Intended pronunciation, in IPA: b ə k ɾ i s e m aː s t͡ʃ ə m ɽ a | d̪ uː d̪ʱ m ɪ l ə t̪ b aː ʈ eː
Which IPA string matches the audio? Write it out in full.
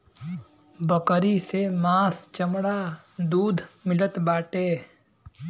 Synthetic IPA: b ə k ɾ i s e m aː s t͡ʃ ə m ɽ a | d̪ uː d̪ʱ m ɪ l ə t̪ b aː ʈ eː